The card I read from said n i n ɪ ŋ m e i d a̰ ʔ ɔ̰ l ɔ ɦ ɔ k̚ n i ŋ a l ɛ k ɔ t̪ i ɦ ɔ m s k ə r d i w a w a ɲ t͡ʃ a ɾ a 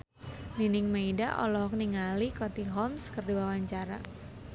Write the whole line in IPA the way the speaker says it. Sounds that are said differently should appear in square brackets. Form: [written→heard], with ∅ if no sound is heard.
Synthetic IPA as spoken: n i n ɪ ŋ m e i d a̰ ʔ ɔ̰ l ɔ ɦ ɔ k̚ n i ŋ a l [ɛ→i] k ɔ t̪ i ɦ ɔ m s k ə r d i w a w a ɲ t͡ʃ a ɾ a